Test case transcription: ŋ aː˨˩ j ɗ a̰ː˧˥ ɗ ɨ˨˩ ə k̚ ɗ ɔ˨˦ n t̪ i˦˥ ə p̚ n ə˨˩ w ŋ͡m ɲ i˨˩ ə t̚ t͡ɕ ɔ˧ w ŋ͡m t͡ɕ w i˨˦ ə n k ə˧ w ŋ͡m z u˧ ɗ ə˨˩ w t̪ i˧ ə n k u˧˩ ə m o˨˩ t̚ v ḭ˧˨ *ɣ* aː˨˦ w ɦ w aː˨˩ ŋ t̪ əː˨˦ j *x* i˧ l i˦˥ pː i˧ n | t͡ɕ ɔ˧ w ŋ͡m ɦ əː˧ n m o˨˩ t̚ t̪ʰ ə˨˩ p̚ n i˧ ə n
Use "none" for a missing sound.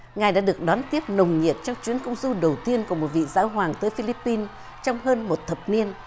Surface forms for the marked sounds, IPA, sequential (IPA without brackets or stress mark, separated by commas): z, f